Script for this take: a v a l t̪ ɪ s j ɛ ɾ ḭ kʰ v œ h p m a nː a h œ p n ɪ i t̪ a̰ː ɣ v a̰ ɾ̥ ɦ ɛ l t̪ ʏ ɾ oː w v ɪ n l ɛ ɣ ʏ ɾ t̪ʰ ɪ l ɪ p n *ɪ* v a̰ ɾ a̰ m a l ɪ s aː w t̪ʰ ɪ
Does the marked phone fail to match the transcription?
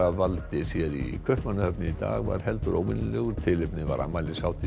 no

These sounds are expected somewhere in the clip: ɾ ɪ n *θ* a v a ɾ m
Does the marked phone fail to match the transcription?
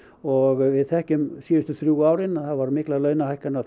no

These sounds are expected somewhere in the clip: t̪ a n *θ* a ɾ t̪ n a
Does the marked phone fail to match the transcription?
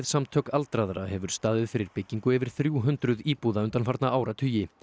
yes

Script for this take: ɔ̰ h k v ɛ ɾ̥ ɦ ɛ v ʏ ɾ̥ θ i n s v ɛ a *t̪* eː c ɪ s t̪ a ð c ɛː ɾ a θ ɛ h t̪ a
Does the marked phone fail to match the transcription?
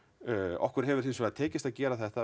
yes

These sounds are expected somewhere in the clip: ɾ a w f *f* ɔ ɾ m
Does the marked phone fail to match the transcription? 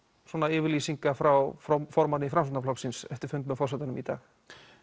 no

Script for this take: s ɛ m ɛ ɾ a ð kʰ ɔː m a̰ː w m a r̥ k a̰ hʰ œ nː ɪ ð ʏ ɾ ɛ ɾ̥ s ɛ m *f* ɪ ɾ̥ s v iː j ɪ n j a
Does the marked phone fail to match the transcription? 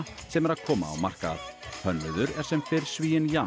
no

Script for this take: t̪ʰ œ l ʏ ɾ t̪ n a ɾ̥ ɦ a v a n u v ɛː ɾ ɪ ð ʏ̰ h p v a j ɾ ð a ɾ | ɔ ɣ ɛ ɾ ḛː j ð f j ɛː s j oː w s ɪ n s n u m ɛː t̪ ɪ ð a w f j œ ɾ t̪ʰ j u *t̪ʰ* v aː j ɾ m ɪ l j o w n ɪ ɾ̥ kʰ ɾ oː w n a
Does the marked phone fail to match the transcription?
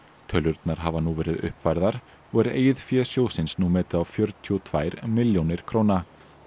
no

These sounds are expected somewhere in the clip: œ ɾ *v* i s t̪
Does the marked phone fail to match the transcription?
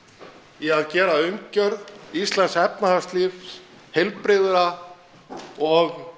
yes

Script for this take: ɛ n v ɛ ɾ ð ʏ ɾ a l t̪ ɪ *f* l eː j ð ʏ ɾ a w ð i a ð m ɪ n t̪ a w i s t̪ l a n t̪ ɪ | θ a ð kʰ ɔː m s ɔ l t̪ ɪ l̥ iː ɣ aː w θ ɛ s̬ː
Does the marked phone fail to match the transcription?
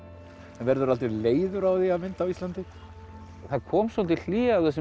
yes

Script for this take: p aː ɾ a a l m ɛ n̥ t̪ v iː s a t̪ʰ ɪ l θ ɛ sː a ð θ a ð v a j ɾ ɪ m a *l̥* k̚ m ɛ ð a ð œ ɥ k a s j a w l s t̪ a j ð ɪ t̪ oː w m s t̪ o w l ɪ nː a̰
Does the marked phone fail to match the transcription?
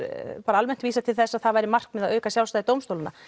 yes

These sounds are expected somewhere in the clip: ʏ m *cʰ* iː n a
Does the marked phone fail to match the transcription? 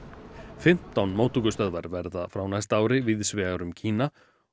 no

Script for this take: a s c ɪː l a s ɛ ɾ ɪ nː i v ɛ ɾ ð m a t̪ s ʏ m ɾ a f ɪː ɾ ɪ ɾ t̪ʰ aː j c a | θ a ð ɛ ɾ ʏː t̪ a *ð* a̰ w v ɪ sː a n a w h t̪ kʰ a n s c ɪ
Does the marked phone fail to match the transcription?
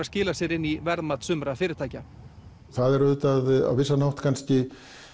no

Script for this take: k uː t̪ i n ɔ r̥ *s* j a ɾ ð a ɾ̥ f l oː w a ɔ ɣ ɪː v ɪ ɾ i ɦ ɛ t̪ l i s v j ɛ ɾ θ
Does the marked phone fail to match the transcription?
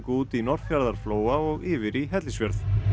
yes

